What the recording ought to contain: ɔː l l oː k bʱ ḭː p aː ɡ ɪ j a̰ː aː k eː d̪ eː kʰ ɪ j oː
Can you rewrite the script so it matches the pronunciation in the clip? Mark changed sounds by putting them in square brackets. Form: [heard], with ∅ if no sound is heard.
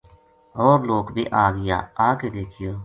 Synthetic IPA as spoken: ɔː [ɾ] l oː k bʱ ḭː [ʔ] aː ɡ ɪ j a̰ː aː k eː d̪ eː kʰ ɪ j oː